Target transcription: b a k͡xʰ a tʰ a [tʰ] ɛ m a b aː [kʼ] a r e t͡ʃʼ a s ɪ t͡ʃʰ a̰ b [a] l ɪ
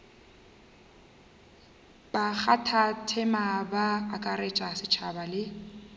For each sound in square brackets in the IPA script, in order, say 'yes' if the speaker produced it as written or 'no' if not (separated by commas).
yes, yes, yes